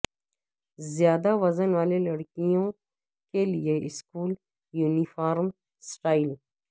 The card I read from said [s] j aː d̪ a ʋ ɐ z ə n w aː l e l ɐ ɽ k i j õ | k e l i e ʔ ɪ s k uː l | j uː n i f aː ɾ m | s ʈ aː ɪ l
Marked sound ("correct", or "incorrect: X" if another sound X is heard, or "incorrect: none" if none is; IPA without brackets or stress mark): incorrect: z